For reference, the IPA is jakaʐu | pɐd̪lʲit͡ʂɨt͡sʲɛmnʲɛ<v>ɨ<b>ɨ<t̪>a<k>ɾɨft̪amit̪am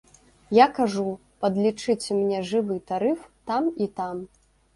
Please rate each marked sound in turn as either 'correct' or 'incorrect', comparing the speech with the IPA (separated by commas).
incorrect, incorrect, correct, incorrect